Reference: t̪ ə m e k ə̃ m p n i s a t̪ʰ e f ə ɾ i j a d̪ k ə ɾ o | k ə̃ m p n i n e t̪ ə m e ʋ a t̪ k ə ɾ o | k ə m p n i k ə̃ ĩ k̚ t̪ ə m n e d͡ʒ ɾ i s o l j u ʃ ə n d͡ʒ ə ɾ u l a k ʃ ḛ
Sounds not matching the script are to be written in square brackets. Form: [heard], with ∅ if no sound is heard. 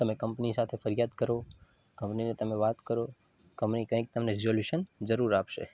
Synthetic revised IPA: t̪ ə m e k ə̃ m p n i s a t̪ʰ e f ə ɾ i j a d̪ k ə ɾ o | k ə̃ m p n i n e t̪ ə m e ʋ a t̪ k ə ɾ o | k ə m p n i k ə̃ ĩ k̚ t̪ ə m n e [∅] ɾ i [z] o l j u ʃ ə n d͡ʒ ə ɾ u [ɾ] a [p] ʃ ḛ